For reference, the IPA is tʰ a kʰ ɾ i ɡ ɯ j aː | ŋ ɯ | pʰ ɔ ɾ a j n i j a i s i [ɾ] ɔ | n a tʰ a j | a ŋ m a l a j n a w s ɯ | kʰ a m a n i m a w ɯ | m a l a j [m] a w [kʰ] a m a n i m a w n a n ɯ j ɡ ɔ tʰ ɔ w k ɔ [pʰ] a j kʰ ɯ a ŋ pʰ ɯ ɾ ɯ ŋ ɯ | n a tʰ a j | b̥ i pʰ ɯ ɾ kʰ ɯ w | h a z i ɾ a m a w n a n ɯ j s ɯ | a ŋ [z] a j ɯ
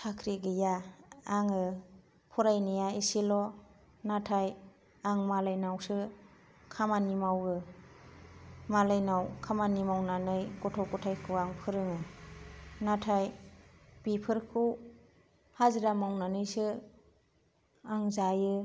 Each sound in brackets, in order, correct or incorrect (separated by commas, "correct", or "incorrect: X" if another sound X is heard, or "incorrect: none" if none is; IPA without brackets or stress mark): incorrect: l, incorrect: n, correct, incorrect: tʰ, correct